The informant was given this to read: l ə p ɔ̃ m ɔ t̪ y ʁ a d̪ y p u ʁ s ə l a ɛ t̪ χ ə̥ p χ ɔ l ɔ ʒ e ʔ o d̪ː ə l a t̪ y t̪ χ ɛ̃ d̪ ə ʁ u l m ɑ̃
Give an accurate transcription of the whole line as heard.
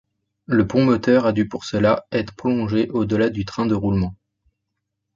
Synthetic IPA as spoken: l ə p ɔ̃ m ɔ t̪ œ ʁ a d̪ y p u ʁ s ə l a ɛ t̪ χ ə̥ p χ ɔ l ɔ̃ ʒ e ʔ o d̪ ə l a d̪ y t̪ χ ɛ̃ d̪ ə ʁ u l m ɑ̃